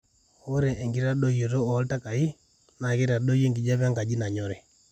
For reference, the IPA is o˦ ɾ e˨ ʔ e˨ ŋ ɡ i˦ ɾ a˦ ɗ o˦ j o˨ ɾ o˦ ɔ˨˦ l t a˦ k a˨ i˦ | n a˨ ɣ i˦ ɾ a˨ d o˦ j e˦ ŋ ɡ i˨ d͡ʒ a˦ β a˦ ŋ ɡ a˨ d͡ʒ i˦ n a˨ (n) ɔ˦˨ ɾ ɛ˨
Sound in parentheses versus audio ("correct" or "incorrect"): incorrect